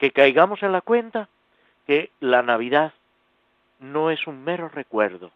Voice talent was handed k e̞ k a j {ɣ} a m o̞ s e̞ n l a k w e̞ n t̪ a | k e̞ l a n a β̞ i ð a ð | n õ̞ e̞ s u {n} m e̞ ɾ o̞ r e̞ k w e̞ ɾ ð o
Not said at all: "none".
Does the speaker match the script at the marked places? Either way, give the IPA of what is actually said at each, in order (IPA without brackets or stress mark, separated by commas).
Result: ɣ, ŋ